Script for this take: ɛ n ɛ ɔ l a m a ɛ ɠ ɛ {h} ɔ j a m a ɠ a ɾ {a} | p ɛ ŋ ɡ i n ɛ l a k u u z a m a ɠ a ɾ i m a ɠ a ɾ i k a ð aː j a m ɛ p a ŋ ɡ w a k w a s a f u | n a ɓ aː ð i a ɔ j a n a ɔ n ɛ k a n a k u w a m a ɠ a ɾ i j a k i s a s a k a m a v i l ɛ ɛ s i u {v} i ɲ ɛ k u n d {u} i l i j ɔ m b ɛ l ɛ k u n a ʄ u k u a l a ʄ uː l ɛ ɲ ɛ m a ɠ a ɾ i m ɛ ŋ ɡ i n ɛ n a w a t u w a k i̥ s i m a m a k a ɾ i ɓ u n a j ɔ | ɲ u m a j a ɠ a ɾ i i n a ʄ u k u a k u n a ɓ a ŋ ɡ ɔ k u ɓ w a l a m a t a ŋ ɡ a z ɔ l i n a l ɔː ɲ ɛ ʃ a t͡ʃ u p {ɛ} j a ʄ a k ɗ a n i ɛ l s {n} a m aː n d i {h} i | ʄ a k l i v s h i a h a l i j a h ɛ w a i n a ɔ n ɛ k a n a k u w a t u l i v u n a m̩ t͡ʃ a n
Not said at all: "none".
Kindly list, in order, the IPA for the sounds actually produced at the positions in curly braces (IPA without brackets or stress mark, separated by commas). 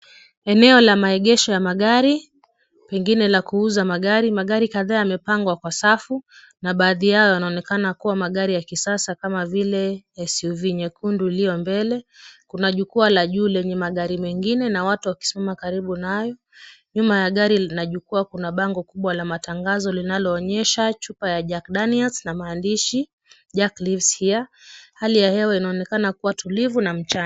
ʃ, i, v, u, a, n, ʃ